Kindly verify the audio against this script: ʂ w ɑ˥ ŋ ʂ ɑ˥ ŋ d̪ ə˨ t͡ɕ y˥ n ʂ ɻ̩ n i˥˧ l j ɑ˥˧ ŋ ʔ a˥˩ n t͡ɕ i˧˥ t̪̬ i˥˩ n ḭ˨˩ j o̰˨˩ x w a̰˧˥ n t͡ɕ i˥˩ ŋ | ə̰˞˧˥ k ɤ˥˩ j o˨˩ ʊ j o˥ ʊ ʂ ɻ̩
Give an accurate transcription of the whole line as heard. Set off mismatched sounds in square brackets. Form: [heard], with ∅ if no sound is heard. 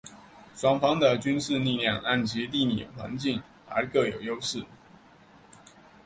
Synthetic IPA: ʂ w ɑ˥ ŋ [f] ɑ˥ ŋ d̪ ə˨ t͡ɕ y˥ n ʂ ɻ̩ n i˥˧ l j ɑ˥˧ ŋ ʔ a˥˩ n t͡ɕ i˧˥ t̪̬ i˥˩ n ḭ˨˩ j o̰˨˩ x w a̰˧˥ n t͡ɕ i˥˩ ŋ | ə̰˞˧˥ k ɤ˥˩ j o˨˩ ʊ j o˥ ʊ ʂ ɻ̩